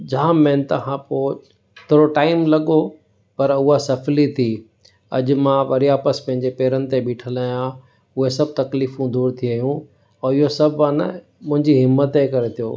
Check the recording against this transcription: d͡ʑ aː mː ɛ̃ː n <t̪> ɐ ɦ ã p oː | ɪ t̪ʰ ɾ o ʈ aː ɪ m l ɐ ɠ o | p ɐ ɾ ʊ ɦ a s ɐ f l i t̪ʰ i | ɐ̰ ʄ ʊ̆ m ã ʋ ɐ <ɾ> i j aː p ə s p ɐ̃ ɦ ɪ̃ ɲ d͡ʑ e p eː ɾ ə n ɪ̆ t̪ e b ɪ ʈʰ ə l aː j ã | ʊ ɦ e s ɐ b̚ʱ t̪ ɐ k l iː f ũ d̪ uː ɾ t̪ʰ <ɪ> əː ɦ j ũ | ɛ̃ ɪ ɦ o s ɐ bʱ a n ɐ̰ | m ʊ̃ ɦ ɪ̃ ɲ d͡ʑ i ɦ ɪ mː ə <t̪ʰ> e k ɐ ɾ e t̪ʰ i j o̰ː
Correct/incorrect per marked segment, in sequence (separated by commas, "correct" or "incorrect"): correct, correct, incorrect, incorrect